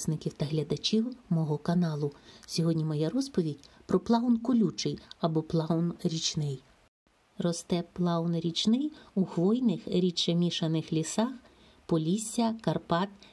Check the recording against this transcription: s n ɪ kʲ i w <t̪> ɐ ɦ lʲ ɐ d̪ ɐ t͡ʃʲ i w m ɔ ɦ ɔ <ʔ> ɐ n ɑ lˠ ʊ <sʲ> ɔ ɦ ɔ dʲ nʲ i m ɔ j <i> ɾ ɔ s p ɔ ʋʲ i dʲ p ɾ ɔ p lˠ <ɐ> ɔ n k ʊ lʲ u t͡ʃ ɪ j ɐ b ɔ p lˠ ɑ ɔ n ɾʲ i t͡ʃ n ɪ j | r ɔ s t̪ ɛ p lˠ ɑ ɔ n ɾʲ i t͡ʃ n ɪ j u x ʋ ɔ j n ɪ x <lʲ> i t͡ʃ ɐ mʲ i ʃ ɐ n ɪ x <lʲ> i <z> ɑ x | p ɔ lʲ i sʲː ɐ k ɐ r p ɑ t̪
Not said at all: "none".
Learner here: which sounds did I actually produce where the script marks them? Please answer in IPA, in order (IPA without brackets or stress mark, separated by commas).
t̪, k, sʲ, ɛ, ɑ, ɾʲ, lʲ, s